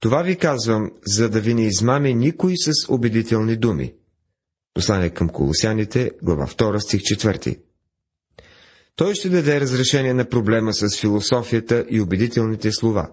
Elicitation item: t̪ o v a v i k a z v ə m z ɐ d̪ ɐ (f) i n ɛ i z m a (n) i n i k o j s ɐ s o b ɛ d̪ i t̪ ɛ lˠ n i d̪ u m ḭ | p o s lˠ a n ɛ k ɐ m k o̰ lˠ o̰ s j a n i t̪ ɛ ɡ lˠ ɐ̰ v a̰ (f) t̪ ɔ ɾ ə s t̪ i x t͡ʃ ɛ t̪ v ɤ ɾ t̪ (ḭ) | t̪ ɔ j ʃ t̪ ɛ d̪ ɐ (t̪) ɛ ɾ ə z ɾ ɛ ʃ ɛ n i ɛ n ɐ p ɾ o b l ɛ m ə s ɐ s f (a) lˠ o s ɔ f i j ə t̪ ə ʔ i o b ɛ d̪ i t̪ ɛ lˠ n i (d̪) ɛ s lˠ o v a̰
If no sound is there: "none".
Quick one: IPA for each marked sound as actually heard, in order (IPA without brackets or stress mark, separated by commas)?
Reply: v, m, f, ḭ, d̪, i, t̪